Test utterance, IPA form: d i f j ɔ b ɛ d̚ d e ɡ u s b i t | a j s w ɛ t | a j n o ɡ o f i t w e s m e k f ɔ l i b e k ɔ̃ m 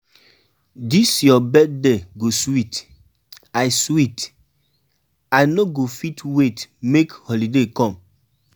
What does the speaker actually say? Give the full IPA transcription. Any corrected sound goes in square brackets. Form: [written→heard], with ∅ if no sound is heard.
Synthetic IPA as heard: d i [f→s] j ɔ b ɛ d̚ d e ɡ [u→o] s [b→w] i t | a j s w [ɛ→i] t | a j n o ɡ o f i t w e [s→t] m e k [f→h] ɔ l i [b→d] e k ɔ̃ m